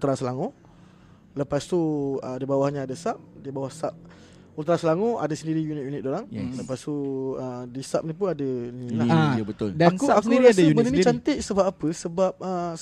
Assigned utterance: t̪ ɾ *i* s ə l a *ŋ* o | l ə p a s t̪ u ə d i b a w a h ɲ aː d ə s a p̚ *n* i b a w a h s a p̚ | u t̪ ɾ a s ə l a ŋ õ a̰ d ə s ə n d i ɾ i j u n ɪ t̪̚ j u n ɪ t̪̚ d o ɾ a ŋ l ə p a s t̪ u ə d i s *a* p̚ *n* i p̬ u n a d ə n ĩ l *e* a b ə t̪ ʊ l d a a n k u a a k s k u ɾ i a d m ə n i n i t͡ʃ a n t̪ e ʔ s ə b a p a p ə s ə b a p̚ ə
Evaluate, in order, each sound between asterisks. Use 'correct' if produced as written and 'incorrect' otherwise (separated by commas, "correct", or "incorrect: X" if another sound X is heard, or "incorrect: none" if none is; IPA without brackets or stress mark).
incorrect: a, correct, incorrect: d, correct, correct, incorrect: a